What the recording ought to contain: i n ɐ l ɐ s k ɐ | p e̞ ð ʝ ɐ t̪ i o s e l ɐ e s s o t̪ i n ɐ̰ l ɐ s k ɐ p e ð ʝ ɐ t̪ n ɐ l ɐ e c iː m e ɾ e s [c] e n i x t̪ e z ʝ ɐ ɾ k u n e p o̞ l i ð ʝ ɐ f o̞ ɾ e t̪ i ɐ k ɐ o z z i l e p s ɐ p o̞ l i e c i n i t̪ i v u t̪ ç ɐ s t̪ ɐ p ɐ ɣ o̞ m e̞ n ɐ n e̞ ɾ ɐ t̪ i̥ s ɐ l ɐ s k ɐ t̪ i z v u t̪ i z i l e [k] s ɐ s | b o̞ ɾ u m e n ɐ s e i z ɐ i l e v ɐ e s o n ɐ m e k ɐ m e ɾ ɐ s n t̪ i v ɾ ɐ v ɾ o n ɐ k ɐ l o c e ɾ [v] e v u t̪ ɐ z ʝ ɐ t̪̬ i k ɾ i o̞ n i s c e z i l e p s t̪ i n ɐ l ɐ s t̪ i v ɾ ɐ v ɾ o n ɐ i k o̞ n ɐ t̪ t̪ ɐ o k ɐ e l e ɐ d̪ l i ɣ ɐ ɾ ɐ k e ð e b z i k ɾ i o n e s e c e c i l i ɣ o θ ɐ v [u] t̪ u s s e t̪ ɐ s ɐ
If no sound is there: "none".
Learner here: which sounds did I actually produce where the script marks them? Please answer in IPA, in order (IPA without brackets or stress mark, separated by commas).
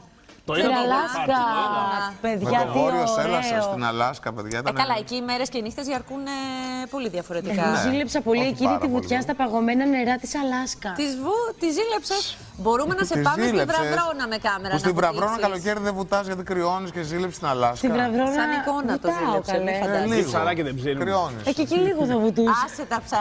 c, p, ð, u